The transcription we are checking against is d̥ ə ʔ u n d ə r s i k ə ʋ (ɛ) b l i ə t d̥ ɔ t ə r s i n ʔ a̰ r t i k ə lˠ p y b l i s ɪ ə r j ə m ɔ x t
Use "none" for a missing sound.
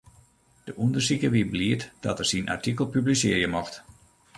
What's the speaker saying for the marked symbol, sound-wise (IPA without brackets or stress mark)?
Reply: i